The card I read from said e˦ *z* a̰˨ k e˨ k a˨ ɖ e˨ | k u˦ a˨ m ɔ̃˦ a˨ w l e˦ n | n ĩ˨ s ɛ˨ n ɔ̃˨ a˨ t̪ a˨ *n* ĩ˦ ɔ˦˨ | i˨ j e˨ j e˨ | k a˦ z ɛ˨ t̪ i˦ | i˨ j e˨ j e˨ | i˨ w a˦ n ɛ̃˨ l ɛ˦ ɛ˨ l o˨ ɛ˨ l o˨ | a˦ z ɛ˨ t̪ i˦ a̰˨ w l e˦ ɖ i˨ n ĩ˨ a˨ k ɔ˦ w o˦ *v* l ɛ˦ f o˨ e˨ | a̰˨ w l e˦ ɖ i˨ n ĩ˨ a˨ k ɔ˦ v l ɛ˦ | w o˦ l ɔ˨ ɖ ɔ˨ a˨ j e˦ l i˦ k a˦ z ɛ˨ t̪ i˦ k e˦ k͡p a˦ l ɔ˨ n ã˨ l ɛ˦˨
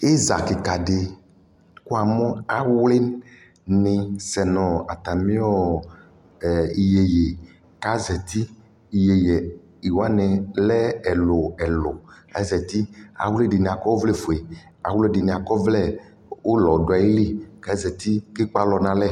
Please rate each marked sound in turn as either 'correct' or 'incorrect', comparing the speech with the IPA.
correct, incorrect: m, correct

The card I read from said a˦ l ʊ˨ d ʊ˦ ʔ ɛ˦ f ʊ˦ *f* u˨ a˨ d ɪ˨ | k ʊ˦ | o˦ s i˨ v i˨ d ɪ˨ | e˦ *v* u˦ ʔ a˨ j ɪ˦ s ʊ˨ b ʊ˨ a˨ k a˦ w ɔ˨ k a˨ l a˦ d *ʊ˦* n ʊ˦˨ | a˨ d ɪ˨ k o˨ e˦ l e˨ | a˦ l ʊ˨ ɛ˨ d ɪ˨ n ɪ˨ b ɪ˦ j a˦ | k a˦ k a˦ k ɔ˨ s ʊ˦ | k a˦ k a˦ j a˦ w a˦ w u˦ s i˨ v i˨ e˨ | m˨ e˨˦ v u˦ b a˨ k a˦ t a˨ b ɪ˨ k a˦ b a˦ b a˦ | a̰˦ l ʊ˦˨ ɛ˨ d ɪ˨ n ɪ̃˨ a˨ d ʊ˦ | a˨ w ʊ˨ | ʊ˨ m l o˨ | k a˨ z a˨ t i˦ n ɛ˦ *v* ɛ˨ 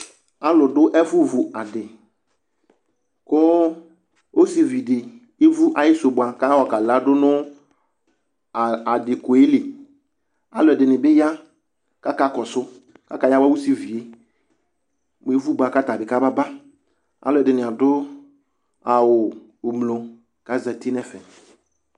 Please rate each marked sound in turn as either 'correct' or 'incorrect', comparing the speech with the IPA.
incorrect: v, correct, correct, incorrect: f

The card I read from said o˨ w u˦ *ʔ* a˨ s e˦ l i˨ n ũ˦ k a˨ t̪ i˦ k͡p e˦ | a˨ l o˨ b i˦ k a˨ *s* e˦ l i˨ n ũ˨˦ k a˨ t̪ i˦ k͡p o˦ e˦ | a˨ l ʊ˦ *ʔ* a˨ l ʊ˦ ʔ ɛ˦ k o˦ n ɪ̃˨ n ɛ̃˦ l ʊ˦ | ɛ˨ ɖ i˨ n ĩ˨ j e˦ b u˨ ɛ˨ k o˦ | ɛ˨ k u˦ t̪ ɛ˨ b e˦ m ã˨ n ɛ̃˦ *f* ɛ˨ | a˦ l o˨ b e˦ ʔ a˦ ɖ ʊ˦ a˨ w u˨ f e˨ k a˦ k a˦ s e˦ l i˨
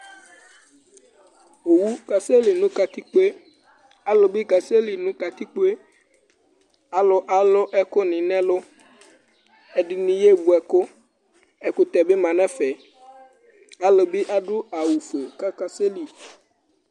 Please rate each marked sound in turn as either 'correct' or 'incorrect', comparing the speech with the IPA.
incorrect: k, correct, correct, correct

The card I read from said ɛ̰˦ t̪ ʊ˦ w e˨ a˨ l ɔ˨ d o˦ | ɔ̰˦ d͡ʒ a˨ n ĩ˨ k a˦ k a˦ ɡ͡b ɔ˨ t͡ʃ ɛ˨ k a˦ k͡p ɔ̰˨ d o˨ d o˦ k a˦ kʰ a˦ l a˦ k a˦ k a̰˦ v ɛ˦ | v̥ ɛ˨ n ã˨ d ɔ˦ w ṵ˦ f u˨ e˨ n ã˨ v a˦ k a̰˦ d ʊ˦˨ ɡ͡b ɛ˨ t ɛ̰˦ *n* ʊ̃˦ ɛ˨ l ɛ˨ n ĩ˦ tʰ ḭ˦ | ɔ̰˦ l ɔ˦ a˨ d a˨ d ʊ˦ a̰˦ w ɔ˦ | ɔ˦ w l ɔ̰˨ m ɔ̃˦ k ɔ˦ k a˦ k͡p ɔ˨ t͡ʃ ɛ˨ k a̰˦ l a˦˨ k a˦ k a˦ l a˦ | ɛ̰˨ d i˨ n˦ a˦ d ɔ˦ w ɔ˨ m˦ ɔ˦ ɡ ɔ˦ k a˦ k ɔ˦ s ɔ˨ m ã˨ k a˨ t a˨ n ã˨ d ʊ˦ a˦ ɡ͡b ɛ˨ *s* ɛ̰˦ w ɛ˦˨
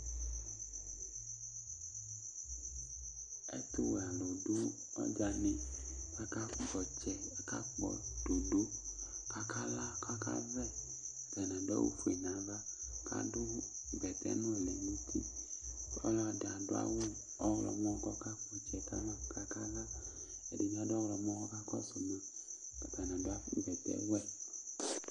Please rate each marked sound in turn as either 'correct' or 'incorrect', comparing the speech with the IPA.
correct, incorrect: t

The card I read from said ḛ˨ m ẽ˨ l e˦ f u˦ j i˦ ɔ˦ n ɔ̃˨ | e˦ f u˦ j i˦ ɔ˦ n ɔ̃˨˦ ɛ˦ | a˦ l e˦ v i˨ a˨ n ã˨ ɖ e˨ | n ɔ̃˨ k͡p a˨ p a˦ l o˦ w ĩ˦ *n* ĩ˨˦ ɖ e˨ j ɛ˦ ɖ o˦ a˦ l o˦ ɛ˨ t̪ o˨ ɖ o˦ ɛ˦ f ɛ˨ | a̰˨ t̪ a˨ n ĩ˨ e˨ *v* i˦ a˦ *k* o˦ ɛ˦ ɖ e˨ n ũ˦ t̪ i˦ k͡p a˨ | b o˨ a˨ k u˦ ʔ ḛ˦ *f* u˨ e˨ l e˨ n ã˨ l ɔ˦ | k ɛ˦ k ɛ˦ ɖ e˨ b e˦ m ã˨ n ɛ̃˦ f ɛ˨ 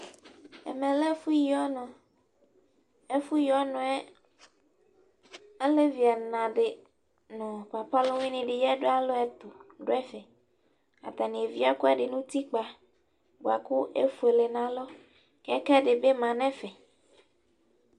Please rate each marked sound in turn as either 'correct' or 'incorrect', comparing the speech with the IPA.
correct, correct, correct, correct

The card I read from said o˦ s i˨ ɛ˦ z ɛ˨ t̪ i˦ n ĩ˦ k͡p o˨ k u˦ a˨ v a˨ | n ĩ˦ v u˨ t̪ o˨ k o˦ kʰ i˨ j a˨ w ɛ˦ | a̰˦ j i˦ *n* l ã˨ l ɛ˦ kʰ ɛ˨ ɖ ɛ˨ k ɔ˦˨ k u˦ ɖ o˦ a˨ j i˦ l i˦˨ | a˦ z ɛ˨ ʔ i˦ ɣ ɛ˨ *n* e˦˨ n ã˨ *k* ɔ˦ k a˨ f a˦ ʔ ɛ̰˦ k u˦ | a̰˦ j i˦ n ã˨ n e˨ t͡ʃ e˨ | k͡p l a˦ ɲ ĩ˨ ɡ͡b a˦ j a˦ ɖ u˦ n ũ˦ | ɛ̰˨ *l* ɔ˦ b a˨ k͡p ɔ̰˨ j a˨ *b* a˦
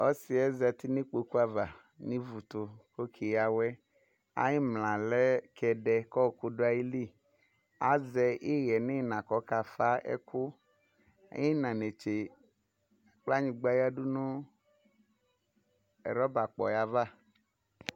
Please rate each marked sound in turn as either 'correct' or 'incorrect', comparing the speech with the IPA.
incorrect: m, correct, correct, incorrect: ɾ, incorrect: v

